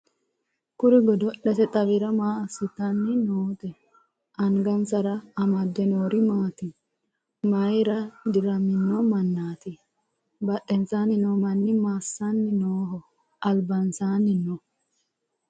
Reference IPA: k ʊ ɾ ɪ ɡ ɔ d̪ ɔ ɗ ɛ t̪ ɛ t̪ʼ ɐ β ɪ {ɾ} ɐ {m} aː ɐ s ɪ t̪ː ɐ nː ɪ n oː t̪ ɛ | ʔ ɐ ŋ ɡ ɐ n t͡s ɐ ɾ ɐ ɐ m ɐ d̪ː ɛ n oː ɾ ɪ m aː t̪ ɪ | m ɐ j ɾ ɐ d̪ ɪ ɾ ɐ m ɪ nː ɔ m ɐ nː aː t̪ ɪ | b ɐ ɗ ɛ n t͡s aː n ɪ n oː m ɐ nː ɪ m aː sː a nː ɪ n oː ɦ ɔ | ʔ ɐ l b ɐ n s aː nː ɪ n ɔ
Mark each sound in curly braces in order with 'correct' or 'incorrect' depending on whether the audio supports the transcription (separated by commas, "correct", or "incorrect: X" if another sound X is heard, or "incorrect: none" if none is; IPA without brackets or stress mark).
correct, correct